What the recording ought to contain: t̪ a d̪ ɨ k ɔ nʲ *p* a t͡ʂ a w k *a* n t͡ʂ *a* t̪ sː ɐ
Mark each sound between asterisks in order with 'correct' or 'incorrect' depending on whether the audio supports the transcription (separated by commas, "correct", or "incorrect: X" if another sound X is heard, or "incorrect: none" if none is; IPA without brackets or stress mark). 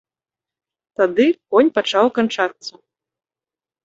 correct, correct, correct